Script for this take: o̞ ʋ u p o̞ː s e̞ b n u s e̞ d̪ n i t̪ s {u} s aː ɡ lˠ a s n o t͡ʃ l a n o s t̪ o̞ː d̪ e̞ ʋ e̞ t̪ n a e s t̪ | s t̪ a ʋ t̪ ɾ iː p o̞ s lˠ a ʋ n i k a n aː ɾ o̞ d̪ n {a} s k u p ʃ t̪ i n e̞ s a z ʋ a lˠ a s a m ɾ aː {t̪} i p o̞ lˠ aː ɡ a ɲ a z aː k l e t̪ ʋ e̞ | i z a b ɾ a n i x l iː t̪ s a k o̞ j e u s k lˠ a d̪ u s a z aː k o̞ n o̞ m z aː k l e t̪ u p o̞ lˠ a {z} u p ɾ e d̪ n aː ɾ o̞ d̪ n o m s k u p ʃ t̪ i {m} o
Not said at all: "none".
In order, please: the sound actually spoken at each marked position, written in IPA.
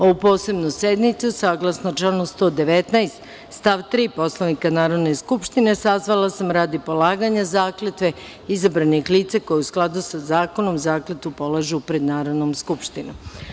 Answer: u, e, d̪, ʒ, n

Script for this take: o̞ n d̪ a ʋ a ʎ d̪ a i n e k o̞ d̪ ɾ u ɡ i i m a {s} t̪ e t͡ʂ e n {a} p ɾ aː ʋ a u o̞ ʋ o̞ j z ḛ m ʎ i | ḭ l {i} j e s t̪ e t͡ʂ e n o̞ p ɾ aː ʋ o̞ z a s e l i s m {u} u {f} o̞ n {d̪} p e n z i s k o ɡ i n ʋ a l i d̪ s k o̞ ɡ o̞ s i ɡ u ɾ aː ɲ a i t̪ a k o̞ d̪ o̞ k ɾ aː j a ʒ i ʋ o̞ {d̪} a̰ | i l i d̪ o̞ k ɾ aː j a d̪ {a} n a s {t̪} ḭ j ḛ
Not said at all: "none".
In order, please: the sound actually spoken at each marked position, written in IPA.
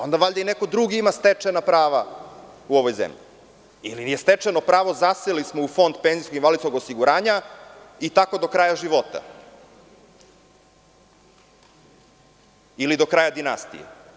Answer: s, a, i, o, f, d̪, t̪, i, t̪

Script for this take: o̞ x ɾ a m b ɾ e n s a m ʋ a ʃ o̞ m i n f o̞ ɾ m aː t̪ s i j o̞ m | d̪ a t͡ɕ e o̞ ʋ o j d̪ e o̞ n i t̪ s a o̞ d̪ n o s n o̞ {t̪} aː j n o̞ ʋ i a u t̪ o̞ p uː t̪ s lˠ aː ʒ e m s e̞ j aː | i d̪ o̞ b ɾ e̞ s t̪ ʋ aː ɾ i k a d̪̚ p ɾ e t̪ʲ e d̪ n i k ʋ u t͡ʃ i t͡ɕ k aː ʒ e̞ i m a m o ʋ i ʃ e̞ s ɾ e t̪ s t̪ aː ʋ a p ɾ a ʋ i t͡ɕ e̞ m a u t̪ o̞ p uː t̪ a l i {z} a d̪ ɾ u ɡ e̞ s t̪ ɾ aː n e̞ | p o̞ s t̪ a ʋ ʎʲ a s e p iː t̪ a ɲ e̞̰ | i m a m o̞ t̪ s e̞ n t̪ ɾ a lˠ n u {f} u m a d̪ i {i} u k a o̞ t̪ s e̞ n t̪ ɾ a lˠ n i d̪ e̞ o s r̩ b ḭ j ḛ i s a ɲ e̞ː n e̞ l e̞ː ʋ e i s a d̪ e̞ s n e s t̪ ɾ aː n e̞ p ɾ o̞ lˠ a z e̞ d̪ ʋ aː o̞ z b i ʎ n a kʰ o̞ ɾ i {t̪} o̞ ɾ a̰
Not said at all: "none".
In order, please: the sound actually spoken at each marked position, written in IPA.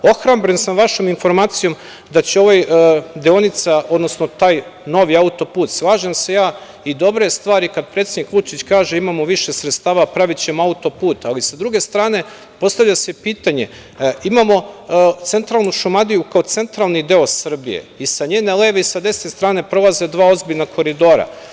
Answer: t̪, s, ʃ, j, d̪

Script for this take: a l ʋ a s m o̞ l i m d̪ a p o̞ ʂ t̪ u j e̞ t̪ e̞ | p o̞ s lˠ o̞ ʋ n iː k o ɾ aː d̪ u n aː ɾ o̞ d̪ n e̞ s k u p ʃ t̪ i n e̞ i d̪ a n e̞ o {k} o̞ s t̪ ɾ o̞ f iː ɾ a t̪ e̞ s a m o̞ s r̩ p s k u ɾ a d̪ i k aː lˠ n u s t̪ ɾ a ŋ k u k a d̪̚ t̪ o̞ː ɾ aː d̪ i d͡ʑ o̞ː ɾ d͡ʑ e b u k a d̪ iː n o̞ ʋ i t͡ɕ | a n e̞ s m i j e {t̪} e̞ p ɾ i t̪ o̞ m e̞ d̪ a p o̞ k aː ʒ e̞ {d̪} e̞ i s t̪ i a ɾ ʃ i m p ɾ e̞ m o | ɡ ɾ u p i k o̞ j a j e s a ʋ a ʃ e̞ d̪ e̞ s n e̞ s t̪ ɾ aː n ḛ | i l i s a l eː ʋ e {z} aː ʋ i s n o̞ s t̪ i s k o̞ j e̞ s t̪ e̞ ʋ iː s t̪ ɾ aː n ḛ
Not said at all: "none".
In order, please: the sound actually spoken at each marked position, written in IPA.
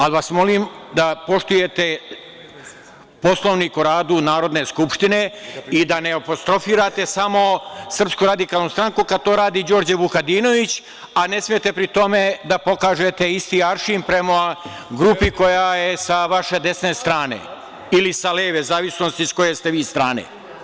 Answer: p, t̪, t̪, z

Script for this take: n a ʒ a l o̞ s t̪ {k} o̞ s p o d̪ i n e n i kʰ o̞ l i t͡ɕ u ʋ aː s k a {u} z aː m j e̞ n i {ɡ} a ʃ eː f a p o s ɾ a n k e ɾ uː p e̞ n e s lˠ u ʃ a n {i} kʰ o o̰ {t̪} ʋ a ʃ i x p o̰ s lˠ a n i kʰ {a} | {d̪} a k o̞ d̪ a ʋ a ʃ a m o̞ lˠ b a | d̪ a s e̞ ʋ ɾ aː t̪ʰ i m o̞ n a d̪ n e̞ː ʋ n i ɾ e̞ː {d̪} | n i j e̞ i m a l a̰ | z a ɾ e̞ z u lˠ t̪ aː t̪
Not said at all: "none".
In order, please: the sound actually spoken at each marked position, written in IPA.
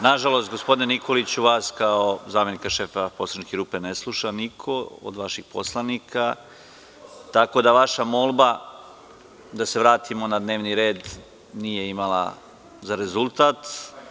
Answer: ɡ, o, k, i, d̪, a, t̪, d̪

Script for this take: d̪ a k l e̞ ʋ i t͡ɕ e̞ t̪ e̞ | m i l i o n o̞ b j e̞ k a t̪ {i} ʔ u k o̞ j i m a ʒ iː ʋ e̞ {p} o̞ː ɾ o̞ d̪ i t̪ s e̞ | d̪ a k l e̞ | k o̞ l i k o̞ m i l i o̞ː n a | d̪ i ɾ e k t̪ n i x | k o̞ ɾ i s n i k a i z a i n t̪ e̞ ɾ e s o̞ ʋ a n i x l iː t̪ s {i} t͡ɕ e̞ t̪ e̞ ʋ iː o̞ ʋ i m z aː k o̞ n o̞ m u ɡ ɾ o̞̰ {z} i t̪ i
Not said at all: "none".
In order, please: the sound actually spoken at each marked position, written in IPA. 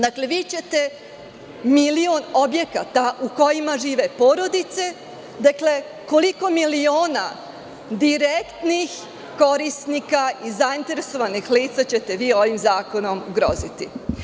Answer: a, p, a, z

